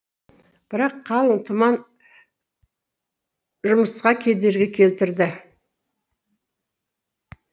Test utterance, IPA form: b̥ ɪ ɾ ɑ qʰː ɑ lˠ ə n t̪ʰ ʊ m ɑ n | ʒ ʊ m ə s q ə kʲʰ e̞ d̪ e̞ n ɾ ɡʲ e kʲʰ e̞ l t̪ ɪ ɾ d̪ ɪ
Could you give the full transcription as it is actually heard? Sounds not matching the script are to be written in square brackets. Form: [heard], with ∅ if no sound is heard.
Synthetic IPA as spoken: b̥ ɪ ɾ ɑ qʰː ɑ lˠ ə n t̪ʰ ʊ m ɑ n | ʒ ʊ m ə s q [ɑ] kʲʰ e̞ d̪ e̞ [∅] ɾ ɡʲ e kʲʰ e̞ l t̪ ɪ ɾ d̪ ɪ